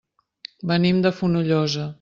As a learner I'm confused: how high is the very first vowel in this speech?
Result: mid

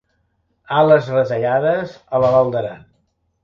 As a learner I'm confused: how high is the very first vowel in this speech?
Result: low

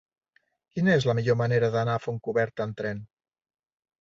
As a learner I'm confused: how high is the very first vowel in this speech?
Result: high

